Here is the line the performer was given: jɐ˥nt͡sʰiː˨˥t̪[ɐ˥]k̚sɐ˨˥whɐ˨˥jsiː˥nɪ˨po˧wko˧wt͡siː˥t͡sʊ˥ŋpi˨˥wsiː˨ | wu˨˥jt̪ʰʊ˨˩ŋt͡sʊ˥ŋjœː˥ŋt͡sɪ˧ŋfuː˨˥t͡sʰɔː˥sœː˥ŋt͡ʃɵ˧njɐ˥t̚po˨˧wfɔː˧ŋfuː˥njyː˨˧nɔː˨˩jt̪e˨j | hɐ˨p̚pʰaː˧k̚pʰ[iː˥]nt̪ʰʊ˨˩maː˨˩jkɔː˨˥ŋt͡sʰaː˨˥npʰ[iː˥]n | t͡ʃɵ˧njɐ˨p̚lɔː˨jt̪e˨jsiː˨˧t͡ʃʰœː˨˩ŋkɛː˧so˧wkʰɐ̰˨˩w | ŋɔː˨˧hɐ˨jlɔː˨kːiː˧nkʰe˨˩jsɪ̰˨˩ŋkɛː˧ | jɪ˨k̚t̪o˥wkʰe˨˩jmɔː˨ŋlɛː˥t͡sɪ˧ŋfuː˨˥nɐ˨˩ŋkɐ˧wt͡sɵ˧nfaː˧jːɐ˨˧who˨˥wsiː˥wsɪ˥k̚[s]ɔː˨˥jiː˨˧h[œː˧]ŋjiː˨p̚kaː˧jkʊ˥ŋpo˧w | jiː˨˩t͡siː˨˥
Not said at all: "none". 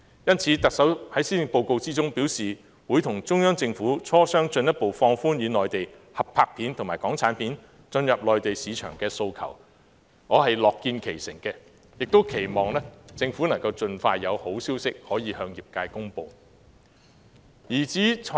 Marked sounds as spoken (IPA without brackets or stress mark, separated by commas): ɐ˨, iː˨˥, iː˨˥, h, œː˧